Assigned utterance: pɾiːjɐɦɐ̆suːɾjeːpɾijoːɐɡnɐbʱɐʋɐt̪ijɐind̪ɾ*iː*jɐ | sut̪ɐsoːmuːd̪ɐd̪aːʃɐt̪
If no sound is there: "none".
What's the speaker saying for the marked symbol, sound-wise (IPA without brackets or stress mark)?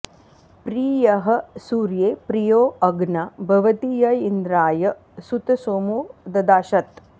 aː